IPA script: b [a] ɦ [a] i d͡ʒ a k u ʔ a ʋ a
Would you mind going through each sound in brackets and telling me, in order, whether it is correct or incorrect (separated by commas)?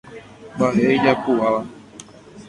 correct, incorrect